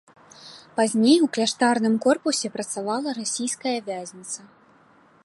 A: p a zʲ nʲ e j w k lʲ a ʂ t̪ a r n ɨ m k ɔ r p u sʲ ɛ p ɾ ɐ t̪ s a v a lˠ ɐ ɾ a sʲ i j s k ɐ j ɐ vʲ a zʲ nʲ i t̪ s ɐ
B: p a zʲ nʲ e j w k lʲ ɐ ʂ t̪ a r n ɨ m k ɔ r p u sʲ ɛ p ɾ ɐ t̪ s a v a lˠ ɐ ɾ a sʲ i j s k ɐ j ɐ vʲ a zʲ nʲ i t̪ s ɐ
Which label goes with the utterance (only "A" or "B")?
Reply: A